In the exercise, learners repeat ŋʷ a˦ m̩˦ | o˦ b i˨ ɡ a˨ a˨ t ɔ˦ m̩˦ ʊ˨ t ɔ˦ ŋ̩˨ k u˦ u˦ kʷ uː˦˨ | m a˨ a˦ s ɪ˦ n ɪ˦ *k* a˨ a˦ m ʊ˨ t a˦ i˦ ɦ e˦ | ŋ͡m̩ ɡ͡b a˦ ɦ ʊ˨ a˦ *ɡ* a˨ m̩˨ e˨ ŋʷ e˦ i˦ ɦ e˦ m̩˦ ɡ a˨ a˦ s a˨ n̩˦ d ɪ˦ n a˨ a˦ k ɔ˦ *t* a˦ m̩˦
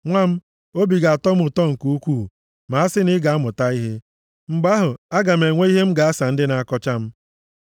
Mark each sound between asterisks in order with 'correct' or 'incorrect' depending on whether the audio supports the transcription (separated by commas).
incorrect, correct, incorrect